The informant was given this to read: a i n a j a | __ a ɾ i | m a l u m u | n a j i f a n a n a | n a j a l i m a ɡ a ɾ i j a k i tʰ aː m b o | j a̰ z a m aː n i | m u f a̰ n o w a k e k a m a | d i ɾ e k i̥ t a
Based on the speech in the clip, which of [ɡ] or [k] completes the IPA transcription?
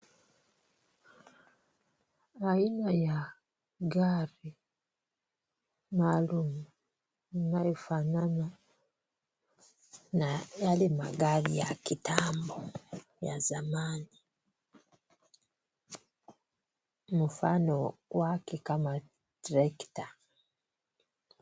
ɡ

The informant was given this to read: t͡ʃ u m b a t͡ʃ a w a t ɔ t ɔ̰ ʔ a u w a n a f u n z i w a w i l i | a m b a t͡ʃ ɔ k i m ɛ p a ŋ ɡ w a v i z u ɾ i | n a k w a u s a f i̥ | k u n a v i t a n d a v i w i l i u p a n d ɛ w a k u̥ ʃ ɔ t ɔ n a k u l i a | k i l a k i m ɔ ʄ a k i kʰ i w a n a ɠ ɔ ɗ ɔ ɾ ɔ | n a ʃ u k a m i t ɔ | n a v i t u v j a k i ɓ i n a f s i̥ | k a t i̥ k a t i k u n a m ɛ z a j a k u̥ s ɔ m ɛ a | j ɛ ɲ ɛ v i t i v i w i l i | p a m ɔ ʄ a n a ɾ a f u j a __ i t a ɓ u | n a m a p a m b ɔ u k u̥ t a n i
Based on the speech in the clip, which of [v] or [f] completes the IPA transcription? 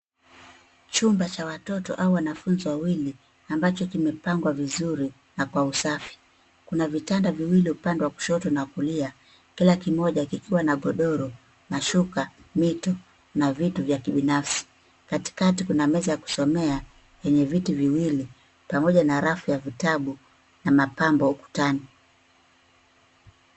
v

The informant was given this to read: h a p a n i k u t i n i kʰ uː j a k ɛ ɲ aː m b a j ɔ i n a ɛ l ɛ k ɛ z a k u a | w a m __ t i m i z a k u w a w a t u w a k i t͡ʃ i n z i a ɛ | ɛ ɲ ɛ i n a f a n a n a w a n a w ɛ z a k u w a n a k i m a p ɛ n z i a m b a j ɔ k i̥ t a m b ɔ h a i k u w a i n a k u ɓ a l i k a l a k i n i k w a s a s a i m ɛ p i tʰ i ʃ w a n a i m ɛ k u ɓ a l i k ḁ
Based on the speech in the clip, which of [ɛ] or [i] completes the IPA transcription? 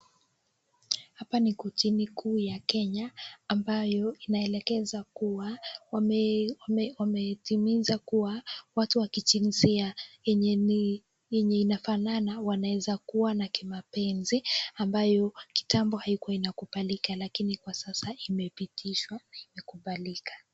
ɛ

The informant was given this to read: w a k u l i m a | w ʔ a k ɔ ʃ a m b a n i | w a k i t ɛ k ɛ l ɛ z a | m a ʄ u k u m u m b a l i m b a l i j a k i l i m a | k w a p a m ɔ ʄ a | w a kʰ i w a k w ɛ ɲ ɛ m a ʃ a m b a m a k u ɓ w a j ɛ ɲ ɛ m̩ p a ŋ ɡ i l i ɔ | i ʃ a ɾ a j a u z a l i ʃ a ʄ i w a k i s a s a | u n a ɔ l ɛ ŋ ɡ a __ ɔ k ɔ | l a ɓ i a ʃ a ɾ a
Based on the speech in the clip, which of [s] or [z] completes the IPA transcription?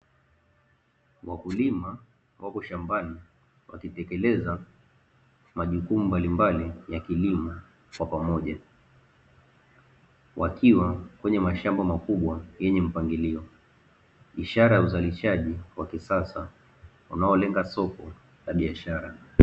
s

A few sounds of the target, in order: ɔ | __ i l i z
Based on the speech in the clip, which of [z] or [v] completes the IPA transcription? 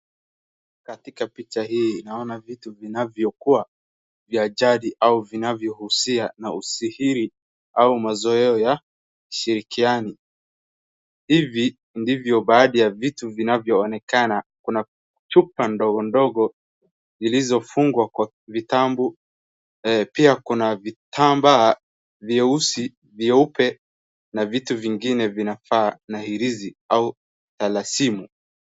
z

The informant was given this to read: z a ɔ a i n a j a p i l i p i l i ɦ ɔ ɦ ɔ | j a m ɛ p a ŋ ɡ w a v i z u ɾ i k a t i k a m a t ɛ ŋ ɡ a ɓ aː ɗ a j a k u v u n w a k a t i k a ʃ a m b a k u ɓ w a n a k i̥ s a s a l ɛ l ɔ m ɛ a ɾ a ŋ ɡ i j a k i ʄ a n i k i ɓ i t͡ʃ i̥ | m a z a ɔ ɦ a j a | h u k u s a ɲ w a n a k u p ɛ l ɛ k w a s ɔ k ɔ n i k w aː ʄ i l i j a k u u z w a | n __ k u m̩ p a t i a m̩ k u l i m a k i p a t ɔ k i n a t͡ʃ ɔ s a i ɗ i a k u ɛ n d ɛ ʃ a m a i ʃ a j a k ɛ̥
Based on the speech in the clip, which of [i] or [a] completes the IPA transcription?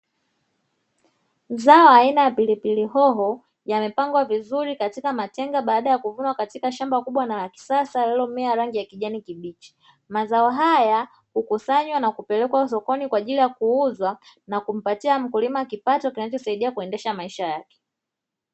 a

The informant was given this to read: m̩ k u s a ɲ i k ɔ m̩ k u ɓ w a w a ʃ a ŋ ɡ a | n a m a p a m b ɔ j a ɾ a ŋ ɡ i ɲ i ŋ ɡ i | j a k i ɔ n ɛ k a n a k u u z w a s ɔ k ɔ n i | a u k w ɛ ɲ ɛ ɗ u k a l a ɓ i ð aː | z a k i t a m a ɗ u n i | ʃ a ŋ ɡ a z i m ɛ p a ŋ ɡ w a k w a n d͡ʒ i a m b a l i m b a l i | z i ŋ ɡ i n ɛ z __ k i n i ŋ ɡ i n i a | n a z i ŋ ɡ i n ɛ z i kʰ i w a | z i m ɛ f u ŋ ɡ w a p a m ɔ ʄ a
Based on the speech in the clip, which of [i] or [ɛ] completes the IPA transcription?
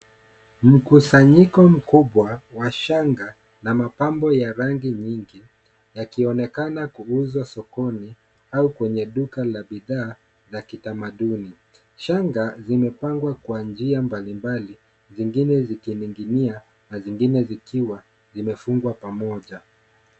i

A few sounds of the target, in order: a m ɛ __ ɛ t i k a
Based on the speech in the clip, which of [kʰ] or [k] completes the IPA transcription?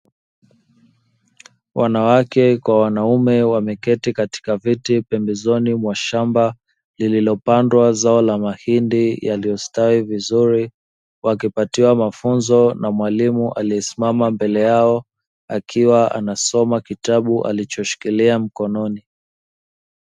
k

